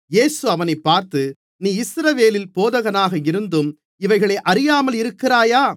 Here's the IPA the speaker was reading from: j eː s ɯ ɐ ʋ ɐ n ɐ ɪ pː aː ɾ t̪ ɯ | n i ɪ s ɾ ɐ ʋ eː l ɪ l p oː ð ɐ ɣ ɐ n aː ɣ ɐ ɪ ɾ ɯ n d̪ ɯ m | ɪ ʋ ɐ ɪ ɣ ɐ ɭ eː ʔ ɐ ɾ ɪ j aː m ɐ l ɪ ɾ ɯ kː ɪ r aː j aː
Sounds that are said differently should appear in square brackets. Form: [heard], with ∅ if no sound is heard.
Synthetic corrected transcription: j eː s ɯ ɐ ʋ ɐ n ɐ ɪ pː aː ɾ t̪ ɯ | n [iː] ɪ s ɾ ɐ ʋ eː l ɪ l p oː ð ɐ ɣ ɐ n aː ɣ ɐ ɪ ɾ ɯ n d̪ ɯ m | ɪ ʋ ɐ ɪ ɣ ɐ ɭ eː ʔ ɐ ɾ ɪ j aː m ɐ l ɪ ɾ ɯ kː ɪ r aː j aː